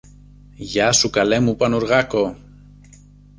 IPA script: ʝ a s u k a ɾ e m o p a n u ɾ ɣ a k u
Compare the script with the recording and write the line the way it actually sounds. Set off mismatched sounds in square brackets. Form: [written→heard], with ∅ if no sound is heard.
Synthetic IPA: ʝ a s u k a [ɾ→l] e m [o→u] p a n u ɾ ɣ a k [u→o]

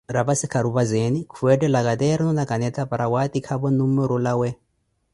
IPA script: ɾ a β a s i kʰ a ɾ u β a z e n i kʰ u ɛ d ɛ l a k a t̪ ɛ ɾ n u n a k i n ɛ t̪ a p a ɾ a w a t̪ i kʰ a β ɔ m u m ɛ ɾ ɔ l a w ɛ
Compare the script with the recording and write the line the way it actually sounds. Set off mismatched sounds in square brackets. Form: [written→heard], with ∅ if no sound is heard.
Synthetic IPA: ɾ a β a s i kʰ a ɾ u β a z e n i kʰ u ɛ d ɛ l a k a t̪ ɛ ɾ n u n a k [i→a] n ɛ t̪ a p a ɾ a w a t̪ i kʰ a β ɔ [m→n] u m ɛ ɾ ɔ l a w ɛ

